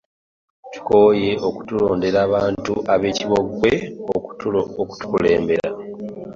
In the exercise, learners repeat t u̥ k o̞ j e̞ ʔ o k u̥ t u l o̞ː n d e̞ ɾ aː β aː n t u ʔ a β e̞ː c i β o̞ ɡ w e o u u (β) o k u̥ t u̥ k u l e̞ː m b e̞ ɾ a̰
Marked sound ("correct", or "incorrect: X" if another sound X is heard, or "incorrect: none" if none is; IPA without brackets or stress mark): incorrect: none